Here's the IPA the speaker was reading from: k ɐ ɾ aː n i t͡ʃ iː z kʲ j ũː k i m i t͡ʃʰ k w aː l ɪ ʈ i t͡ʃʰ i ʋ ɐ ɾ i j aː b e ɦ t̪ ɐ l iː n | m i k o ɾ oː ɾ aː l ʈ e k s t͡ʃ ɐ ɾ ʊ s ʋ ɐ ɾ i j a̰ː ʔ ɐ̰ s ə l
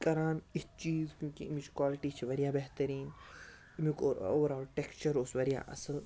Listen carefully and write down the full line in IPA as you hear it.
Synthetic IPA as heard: k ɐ ɾ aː n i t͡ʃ iː z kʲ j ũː k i m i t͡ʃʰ k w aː l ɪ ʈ i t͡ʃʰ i ʋ ɐ ɾ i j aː b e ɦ t̪ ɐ ɾ iː n | m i k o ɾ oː ɾ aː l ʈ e k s t͡ʃ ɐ ɾ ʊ s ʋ ɐ ɾ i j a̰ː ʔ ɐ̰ s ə l